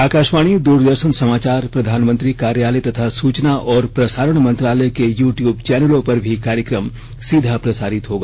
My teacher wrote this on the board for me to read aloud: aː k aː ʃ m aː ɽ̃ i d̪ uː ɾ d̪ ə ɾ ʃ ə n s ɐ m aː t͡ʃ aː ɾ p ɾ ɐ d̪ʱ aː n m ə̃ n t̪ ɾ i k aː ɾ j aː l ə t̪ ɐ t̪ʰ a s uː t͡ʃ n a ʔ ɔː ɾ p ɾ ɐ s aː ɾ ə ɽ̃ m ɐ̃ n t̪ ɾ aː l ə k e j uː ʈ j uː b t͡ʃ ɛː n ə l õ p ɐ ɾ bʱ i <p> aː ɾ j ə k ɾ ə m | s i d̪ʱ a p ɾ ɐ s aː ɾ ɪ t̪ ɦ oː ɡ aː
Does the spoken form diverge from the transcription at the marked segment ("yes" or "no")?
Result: yes